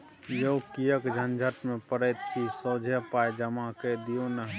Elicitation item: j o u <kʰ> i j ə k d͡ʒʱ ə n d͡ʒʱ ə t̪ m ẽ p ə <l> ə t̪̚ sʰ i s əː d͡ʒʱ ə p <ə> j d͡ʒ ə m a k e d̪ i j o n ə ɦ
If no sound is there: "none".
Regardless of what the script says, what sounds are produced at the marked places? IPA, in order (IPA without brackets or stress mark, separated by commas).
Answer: k, ɾ, a